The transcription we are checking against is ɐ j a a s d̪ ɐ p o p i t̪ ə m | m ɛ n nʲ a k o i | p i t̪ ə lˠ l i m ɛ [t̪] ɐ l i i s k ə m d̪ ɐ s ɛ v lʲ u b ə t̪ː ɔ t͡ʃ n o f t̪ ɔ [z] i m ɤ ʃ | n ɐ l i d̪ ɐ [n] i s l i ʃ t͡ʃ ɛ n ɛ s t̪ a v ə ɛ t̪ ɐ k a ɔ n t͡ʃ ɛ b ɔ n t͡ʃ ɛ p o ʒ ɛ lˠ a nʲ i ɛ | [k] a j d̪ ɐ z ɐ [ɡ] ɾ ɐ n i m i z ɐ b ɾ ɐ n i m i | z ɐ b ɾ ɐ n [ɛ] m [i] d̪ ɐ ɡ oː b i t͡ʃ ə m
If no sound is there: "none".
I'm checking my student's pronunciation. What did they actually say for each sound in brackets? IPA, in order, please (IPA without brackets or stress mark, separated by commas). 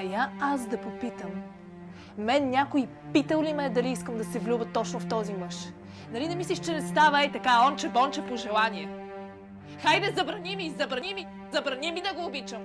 d̪, z, m, x, b, i, i